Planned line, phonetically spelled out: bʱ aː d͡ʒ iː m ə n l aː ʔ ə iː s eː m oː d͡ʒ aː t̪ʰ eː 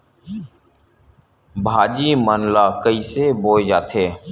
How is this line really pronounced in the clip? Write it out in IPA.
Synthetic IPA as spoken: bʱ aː d͡ʒ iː m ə n l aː k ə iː s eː b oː d͡ʒ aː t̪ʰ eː